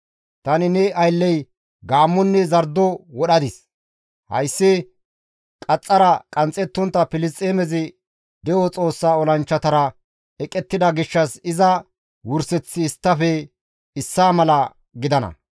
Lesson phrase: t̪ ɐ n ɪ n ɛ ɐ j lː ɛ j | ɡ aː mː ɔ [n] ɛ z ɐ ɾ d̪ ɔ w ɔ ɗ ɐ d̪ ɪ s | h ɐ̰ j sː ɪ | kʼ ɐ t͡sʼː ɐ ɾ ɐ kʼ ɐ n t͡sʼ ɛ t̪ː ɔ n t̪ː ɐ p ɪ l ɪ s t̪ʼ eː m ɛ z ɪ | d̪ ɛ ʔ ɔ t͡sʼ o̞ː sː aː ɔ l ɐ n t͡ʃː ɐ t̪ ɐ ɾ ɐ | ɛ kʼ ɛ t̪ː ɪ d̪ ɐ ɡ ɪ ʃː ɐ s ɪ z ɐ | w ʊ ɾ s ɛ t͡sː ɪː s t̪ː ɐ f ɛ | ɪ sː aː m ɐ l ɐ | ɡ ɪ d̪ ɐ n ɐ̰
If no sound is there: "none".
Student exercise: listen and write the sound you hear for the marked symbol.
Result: nː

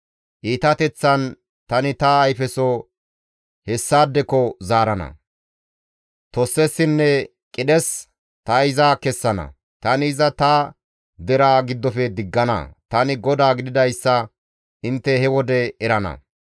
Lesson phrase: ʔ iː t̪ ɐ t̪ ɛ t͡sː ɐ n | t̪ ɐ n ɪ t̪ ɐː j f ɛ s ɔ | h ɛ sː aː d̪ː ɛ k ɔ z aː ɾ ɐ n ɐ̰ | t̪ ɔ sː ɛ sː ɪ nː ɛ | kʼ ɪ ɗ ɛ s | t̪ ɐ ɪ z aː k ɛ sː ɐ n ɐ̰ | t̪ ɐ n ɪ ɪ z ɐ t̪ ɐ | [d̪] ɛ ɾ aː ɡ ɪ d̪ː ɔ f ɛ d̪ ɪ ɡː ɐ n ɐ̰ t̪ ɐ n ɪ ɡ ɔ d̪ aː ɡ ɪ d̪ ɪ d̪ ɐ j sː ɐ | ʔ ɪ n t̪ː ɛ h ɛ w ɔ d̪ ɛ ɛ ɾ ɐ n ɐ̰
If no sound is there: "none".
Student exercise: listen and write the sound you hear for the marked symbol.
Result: d̪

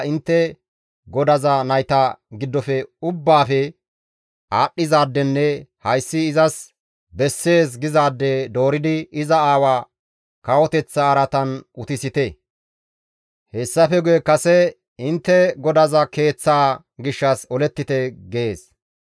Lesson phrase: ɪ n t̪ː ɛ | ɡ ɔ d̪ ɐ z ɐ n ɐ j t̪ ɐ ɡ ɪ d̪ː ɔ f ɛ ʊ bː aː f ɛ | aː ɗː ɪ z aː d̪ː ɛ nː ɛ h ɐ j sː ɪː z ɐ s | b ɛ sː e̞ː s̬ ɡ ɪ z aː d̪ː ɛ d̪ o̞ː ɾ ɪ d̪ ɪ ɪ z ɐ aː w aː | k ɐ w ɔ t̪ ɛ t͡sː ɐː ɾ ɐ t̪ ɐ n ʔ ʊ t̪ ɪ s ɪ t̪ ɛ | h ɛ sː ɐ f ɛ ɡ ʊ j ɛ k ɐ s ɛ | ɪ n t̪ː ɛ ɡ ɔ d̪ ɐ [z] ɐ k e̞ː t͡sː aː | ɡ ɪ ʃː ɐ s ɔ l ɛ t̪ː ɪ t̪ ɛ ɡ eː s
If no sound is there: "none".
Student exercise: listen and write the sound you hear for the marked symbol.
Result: z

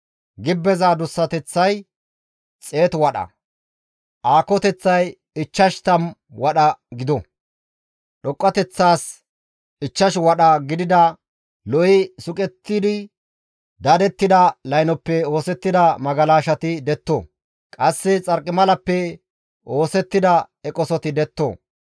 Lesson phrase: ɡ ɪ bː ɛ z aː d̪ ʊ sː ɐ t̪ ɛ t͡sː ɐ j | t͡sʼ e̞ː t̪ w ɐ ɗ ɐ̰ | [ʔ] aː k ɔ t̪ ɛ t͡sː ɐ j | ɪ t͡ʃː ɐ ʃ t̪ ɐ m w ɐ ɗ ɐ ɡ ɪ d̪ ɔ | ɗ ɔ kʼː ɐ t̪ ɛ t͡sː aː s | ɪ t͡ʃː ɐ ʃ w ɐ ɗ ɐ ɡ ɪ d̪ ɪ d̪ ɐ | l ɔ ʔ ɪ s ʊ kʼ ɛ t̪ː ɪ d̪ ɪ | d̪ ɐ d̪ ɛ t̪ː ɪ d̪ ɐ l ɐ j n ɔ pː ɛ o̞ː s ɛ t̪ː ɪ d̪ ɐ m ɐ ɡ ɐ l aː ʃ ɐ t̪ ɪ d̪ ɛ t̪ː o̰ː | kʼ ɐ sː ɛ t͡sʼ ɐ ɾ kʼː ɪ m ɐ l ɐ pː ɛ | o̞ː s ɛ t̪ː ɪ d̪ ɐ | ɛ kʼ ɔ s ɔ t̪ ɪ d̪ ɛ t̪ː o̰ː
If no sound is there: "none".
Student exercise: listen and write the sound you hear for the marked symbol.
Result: ʔ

